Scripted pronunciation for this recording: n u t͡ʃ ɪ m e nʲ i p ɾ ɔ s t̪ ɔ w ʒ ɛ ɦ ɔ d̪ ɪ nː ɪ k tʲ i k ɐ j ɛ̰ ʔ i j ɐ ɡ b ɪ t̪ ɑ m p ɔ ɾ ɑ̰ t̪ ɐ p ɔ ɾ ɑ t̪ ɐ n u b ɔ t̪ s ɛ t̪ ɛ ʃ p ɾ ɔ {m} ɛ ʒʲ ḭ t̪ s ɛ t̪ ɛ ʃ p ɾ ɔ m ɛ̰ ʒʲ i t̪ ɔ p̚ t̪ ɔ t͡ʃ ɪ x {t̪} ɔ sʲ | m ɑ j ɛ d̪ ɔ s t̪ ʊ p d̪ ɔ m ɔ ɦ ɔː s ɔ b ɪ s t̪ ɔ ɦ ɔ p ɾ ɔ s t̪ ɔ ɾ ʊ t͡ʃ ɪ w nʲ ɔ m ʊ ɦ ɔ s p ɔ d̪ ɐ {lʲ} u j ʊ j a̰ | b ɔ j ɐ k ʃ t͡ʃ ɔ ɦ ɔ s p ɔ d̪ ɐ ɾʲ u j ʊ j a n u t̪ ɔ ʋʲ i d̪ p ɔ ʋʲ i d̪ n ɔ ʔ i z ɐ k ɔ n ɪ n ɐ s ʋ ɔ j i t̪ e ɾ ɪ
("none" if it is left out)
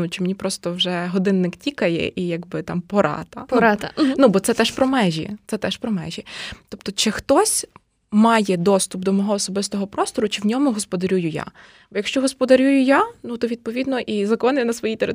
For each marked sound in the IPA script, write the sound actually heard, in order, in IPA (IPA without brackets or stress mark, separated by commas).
m, t̪, ɾʲ